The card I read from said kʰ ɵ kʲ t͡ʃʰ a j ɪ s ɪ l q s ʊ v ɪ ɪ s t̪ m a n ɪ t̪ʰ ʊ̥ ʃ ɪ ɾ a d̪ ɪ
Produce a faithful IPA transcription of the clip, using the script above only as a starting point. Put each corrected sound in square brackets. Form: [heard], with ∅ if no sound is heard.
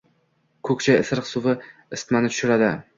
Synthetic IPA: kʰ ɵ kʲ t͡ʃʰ a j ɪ s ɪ [ɾ] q s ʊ v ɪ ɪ s t̪ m a n ɪ t̪ʰ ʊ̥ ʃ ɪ ɾ a d̪ ɪ